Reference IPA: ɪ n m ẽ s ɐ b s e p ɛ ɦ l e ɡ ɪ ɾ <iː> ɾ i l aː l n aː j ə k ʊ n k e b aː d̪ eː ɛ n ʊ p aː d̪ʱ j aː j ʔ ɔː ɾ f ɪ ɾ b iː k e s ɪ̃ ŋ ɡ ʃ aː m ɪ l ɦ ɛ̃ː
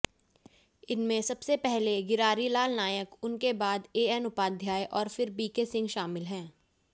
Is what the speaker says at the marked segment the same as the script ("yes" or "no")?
no